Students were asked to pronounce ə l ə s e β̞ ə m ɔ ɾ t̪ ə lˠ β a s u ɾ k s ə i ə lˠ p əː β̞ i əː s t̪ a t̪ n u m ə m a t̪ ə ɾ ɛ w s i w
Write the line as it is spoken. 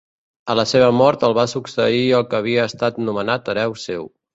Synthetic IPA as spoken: ə l ə s e β̞ ə m ɔ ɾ t̪ ə lˠ β a s u k s ə i ə lˠ k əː β̞ i əː s t̪ a t̪ n u m ə n a t̪ ə ɾ ɛ w s e w